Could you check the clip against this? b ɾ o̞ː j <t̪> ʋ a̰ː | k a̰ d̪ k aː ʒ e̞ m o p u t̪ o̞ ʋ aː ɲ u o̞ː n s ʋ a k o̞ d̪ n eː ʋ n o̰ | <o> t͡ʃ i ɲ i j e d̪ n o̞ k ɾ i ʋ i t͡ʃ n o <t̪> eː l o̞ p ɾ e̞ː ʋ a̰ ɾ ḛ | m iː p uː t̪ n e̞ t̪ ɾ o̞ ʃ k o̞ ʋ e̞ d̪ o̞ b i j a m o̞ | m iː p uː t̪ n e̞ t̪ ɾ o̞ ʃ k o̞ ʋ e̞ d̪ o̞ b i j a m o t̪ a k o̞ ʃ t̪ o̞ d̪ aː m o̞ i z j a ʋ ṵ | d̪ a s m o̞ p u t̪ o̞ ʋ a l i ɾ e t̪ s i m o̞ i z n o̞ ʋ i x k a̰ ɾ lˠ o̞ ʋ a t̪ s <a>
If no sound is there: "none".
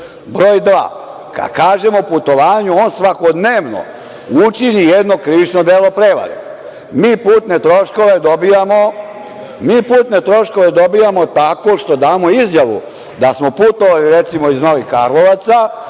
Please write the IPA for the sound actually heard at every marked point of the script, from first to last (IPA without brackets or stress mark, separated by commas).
d̪, u, d̪, a